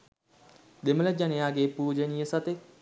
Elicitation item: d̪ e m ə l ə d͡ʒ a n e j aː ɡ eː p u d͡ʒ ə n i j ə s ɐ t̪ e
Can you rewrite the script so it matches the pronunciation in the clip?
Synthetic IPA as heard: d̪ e m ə l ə d͡ʒ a n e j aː ɡ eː p uː d͡ʒ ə n i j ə s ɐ t̪ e